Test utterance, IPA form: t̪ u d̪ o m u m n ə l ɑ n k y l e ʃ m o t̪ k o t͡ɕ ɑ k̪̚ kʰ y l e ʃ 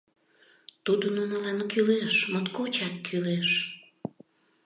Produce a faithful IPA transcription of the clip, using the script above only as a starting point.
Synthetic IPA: t̪ u d̪ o n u n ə l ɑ n k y l e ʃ m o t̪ k o t͡ɕ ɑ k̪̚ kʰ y l e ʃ